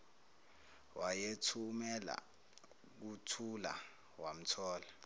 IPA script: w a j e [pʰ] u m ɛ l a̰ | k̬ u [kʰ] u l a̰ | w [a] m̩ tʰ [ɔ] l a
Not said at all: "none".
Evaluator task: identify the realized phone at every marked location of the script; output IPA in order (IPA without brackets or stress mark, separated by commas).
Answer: tʰ, tʰ, a, ɔː